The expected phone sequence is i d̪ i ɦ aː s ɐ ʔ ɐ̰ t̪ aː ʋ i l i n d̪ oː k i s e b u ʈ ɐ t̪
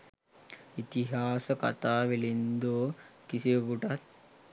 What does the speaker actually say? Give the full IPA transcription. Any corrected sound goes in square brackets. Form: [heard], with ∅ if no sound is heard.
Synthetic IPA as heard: i [t̪] i ɦ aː s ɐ [k] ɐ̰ t̪ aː ʋ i l i n d̪ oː k i s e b u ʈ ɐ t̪

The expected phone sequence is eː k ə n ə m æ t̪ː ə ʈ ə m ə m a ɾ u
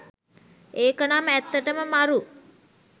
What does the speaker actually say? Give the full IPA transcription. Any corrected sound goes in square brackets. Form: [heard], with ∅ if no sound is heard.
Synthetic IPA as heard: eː k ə n [a] m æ t̪ː ə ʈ ə m ə m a ɾ u

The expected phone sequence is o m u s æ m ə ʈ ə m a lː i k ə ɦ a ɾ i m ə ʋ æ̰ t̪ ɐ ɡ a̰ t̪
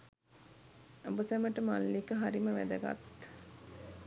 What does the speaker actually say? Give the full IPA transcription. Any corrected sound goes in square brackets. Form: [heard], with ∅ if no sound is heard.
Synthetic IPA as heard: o [b] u s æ m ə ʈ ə m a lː i k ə ɦ a ɾ i m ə ʋ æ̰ [d̪] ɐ ɡ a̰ t̪

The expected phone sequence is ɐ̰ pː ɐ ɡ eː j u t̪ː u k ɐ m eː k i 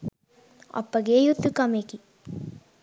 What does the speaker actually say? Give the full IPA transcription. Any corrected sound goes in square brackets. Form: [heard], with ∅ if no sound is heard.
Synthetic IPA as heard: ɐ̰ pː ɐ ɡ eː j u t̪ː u k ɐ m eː k i

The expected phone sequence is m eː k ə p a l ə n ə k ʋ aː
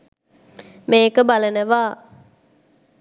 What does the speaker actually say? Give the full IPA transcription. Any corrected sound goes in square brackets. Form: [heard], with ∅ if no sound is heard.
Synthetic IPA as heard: m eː k ə [b] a l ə n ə [∅] ʋ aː

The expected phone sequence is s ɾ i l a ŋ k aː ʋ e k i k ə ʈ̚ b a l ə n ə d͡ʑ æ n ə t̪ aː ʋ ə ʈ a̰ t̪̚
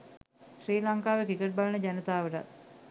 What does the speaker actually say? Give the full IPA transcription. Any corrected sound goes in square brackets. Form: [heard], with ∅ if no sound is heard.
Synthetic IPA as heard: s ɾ [iː] l a ŋ k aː ʋ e k i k ə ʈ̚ b a l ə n ə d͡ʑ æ n ə t̪ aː ʋ ə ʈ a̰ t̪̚

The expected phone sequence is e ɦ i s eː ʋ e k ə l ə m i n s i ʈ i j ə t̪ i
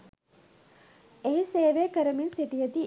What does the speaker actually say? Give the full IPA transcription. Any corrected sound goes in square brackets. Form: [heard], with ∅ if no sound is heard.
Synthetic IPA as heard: e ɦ i s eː ʋ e k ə [ɾ] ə m i n s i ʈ i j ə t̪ i

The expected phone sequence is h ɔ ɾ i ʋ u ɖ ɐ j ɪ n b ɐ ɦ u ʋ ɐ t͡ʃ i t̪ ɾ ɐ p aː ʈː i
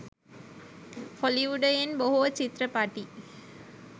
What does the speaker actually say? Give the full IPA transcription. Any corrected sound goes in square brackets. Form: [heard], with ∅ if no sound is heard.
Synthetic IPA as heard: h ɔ [l] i ʋ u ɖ ɐ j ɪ n b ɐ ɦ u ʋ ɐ t͡ʃ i t̪ ɾ ɐ p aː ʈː i

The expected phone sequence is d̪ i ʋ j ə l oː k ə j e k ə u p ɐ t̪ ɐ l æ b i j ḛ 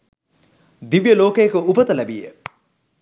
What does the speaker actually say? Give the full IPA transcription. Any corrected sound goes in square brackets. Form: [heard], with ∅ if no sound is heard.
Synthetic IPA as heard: d̪ i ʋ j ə l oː k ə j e k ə u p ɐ t̪ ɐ l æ b i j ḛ

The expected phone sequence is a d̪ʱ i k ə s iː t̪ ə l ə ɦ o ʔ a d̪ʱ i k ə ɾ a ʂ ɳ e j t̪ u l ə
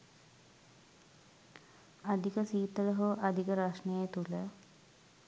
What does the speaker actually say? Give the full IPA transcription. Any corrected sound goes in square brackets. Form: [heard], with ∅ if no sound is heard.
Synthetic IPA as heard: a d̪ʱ i k ə s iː t̪ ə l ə ɦ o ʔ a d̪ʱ i k ə ɾ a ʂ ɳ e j t̪ u l ə

